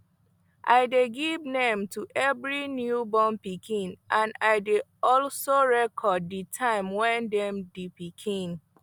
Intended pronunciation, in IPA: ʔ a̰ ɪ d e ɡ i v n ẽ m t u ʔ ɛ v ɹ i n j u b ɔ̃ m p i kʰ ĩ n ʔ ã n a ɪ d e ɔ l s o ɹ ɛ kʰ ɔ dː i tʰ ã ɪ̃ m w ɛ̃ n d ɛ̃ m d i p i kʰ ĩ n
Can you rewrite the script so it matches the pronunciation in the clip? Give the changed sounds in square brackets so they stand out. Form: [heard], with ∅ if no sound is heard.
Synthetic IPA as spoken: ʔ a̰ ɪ d e ɡ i v n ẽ m t u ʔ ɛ v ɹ i n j u b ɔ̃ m p i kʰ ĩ n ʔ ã n a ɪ d e ɔ l s o ɹ ɛ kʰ ɔ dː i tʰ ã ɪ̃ m w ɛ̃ n d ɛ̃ m d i p i kʰ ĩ n